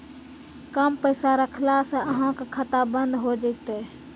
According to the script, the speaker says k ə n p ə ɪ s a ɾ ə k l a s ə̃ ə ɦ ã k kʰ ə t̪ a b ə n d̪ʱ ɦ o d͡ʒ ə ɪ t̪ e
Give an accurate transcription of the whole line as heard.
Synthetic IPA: k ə m p ə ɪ s a ɾ ə kʰ l a s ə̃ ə ɦ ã k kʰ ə t̪ a b ə n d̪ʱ ɦ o d͡ʒ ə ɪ t̪ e